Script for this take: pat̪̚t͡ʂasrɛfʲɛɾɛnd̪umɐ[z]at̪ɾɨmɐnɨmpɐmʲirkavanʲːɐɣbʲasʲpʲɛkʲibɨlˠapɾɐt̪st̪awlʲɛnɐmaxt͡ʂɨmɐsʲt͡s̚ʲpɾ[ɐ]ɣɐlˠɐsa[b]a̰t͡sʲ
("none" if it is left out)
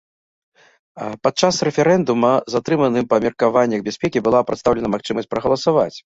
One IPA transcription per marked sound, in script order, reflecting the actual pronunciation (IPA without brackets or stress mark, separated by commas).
z, ɐ, v